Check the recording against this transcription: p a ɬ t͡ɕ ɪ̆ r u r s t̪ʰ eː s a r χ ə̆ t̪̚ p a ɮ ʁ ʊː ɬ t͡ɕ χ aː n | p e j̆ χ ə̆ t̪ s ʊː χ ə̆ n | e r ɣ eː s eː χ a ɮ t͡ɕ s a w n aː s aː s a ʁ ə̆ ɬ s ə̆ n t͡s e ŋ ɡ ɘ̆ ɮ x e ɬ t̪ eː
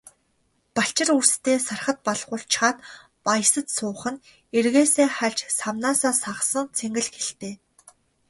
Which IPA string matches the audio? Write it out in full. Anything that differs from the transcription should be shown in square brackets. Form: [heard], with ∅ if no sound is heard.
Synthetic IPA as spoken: p a ɬ t͡ɕ ɪ̆ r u r s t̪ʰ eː s a r χ ə̆ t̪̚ p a ɮ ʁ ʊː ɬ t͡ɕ χ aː n | p [a] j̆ [s] ə̆ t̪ s ʊː χ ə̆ n | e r ɣ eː s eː χ a ɮ t͡ɕ s a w n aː s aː s a ʁ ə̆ [∅] s ə̆ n [t͡sʰ] e ŋ ɡ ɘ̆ ɮ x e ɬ t̪ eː